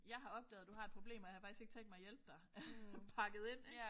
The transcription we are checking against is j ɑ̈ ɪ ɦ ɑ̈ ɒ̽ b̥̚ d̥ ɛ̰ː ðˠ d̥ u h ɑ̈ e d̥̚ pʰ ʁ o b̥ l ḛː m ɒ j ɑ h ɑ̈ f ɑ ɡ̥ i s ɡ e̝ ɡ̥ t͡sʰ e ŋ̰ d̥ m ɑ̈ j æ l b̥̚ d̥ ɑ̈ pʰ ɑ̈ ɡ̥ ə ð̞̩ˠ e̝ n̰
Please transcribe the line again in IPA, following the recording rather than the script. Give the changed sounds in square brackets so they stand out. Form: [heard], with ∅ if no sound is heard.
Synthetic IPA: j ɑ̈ ɪ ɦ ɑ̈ ɒ̽ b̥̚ d̥ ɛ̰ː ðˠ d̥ u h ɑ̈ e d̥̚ pʰ ʁ o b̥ l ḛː m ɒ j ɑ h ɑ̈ f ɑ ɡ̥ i s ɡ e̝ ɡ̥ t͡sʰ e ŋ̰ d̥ m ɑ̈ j [e] l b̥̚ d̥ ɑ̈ pʰ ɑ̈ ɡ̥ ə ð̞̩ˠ e̝ n̰